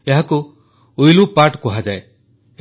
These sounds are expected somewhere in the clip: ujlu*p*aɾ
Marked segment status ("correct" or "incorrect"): correct